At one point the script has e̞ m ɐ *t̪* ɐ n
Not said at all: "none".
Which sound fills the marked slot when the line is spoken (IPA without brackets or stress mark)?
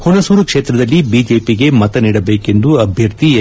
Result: t̪